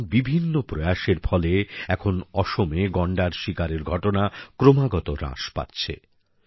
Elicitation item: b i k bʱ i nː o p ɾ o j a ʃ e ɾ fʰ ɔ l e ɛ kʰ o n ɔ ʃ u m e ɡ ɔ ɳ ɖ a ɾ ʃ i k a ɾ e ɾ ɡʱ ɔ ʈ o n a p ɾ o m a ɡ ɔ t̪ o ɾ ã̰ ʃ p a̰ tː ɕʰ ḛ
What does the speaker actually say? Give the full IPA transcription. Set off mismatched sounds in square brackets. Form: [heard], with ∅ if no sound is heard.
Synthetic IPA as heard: b i [∅] bʱ i nː o p ɾ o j a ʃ e ɾ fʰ ɔ l e ɛ kʰ o n ɔ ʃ [o] m e ɡ ɔ ɳ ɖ a ɾ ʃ i k a ɾ e ɾ ɡʱ ɔ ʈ o n a [k] ɾ o m a ɡ ɔ t̪ o ɾ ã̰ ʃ p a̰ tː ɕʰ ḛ